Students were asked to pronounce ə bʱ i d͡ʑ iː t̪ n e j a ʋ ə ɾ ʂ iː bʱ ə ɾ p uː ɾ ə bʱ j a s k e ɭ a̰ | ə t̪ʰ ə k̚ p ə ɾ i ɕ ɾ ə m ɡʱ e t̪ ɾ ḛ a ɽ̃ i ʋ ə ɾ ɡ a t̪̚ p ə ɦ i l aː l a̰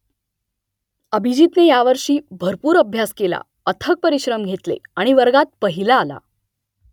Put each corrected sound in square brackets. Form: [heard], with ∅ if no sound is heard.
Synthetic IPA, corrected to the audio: ə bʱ i d͡ʑ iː t̪ n e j a ʋ ə ɾ ʂ iː bʱ ə ɾ p uː ɾ ə bʱ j a s k e [l] a̰ | ə t̪ʰ ə k̚ p ə ɾ i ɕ ɾ ə m ɡʱ e t̪ [l] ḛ a ɽ̃ i ʋ ə ɾ ɡ a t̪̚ p ə ɦ i l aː l a̰